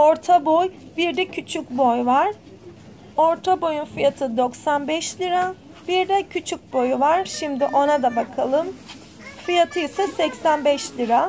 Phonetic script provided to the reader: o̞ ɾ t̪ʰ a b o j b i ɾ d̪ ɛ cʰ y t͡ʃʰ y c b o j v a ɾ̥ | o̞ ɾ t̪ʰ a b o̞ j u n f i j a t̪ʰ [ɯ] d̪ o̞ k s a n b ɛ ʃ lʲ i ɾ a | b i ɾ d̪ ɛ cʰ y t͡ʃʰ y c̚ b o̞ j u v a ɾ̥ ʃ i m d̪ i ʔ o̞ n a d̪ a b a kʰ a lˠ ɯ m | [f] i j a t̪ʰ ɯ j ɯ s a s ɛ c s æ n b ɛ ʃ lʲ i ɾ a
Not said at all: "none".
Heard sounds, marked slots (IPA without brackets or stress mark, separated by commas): ɯ, f